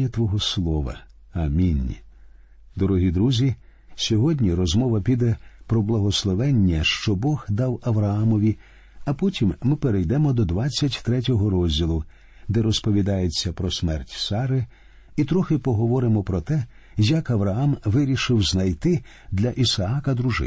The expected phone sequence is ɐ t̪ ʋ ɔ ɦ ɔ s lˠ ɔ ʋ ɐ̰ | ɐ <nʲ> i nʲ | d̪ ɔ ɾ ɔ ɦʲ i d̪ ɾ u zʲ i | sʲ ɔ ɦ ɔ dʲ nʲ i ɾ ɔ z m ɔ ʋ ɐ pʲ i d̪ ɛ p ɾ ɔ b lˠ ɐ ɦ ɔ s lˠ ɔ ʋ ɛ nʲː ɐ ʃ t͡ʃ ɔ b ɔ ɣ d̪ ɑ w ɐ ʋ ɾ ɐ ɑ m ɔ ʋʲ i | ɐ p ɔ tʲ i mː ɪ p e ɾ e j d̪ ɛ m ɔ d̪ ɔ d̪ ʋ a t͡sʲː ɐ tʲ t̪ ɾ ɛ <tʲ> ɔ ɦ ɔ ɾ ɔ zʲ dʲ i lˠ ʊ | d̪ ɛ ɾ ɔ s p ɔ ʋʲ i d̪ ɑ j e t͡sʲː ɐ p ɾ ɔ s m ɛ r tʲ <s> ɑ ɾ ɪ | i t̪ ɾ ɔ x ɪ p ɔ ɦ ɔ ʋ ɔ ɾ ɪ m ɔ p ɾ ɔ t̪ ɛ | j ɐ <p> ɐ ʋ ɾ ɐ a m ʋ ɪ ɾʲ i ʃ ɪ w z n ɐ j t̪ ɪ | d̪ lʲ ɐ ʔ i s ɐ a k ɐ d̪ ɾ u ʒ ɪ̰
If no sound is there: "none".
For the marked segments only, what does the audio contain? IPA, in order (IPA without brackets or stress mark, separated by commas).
mʲ, tʲ, s, k